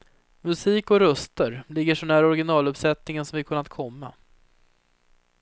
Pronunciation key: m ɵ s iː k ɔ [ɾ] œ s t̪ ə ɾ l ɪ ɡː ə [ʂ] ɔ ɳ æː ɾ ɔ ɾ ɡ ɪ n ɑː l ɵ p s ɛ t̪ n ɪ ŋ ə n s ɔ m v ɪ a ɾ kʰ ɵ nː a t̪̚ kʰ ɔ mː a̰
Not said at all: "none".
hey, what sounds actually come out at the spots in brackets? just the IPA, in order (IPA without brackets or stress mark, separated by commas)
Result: ɾ, ʂ